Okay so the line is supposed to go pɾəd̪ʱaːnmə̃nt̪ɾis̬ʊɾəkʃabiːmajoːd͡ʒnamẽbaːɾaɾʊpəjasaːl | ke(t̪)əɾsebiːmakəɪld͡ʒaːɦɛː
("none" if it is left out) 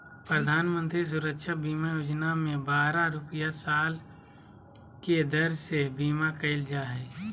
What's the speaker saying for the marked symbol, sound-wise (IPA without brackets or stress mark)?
d̪